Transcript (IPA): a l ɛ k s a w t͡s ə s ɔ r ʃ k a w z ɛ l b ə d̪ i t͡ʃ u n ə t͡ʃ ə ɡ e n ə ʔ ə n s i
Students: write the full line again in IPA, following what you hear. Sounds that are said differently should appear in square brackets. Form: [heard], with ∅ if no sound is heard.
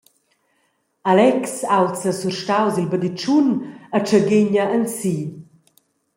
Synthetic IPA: a l ɛ k s a w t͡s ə s [u] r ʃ [t] a w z [i] l b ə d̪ i t͡ʃ u n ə t͡ʃ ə ɡ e [ɲ] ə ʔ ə n s i